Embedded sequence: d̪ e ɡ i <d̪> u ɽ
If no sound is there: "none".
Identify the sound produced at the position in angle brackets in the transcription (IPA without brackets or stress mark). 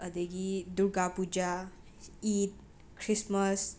d̪